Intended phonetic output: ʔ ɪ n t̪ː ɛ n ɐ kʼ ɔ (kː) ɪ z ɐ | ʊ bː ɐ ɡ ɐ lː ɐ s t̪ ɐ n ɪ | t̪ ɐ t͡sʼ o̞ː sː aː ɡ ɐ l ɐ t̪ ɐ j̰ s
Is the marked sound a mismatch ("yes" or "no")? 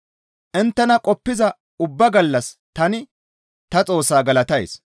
yes